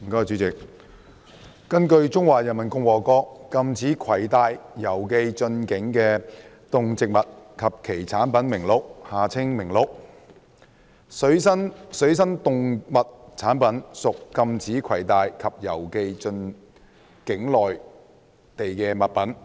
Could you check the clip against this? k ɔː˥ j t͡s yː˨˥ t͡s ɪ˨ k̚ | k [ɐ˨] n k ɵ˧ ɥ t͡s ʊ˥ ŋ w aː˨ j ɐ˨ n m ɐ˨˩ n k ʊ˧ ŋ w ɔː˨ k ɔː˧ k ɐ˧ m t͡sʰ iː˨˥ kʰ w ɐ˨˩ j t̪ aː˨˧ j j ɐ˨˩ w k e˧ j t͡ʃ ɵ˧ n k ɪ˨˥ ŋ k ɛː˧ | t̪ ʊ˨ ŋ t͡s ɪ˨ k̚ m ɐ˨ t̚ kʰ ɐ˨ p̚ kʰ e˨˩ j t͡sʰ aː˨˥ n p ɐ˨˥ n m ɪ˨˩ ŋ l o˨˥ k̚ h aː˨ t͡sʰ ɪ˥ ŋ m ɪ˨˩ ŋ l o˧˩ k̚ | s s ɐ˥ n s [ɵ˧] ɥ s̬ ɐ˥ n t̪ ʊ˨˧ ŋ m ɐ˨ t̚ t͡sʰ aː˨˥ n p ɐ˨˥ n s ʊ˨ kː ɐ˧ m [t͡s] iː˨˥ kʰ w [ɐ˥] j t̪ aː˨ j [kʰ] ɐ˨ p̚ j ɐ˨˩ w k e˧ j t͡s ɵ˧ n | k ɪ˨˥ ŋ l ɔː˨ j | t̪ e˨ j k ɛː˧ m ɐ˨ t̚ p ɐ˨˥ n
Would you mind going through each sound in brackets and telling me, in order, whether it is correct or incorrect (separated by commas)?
incorrect, incorrect, incorrect, incorrect, correct